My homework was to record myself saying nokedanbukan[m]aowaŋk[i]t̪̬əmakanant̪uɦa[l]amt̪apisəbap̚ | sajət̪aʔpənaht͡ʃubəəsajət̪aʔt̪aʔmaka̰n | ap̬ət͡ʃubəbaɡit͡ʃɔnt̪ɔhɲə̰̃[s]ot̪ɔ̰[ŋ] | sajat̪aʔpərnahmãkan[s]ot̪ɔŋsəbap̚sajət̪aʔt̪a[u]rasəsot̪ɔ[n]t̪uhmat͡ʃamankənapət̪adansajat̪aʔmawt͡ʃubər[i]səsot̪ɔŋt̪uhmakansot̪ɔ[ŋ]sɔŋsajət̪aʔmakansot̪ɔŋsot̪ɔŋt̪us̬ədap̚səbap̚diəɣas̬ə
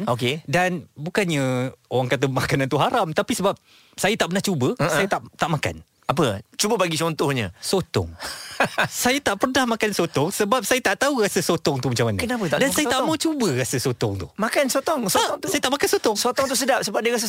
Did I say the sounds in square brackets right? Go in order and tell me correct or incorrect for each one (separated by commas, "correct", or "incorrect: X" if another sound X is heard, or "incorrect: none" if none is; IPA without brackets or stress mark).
incorrect: ɲ, incorrect: a, incorrect: ɾ, correct, correct, correct, correct, incorrect: ŋ, incorrect: a, correct